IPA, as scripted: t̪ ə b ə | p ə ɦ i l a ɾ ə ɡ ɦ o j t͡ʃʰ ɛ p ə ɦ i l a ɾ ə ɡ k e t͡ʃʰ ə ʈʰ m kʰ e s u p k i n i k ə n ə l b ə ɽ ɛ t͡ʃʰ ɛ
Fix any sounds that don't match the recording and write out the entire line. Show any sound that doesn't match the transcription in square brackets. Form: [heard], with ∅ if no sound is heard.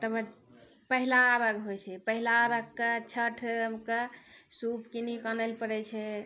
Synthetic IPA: t̪ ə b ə | p ə ɦ i l a ɾ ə ɡ ɦ o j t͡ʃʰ ɛ p ə ɦ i l a ɾ ə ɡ k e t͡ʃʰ ə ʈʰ m [k] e s u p k i n i k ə n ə l [p] ə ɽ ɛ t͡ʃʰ ɛ